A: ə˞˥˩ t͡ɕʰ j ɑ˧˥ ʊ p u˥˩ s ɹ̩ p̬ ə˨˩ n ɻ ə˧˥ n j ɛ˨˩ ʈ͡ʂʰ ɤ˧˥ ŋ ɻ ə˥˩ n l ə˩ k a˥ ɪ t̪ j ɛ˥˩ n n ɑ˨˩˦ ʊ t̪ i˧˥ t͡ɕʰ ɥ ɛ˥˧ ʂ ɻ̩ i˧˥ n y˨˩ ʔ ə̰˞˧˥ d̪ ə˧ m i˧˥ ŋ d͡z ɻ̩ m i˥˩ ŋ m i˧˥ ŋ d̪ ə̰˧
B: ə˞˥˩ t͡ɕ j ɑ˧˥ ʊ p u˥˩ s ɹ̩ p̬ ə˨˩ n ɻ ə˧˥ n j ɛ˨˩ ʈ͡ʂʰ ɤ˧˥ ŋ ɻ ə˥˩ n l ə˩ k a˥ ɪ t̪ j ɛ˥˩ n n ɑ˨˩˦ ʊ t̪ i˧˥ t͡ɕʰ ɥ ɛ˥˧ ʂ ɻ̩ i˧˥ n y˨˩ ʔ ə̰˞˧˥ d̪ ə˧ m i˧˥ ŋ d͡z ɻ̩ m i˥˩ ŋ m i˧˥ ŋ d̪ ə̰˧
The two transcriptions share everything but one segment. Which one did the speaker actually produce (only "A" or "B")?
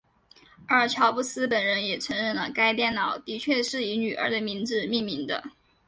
A